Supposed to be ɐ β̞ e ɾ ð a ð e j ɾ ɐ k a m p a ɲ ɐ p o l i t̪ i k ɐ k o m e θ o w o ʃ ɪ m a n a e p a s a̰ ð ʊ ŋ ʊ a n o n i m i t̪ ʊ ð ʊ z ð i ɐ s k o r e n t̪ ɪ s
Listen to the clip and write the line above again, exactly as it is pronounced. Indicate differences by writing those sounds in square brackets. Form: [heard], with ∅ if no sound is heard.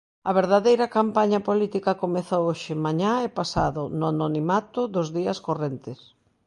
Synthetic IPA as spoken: ɐ β̞ e ɾ ð a ð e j ɾ ɐ k a m p a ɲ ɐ p o l i t̪ i k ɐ k o m e θ o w o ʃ ɪ m a [ɲ] a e p a s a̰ ð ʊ [n] ʊ a n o n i m [a] t̪ ʊ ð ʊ z ð i ɐ s k o r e n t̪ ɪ s

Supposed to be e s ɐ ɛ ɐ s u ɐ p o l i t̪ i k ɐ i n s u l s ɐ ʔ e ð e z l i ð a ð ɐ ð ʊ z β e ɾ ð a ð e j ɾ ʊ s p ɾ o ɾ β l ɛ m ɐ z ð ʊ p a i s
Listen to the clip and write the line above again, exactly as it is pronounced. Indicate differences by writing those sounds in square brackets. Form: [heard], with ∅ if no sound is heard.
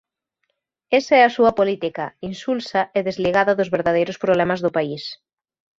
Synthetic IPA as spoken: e s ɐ ɛ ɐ s u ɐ p o l i t̪ i k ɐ i n s u l s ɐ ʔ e ð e z l i [ɣ] a ð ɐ ð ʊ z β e ɾ ð a ð e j ɾ ʊ s p ɾ o [∅] β l ɛ m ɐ z ð ʊ p a i s

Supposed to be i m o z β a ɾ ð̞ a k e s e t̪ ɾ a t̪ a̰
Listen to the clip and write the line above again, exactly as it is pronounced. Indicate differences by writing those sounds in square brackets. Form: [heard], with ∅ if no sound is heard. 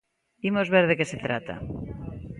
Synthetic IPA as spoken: i m o z β [e] ɾ ð̞ [e] k e s e t̪ ɾ a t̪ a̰

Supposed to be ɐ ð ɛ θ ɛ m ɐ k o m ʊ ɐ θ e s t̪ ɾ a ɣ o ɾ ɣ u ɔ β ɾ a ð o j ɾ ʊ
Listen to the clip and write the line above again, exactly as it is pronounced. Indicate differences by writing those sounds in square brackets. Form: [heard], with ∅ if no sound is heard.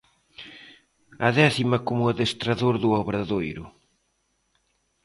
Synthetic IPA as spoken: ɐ ð ɛ θ [i] m ɐ k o m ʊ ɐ [ð] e s t̪ ɾ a [ð] o ɾ [ð] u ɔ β ɾ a ð o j ɾ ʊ

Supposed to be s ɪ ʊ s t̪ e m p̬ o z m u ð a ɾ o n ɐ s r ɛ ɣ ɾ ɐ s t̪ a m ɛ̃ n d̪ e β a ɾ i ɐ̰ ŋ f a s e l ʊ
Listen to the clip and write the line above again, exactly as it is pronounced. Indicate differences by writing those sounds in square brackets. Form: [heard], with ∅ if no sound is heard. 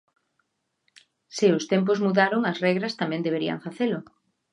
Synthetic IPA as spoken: s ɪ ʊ s t̪ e m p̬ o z m u ð a ɾ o [ŋ] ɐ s r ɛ ɣ ɾ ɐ s t̪ a m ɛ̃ n d̪ e β [e] ɾ i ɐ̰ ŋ f a [θ] e l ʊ

